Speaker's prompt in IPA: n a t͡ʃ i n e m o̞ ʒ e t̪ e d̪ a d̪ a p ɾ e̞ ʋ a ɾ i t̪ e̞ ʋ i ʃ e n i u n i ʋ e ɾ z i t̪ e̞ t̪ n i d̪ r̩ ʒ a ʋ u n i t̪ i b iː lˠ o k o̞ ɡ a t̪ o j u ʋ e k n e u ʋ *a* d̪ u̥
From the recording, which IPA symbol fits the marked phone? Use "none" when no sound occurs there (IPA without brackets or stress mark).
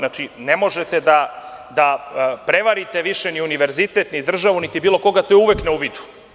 i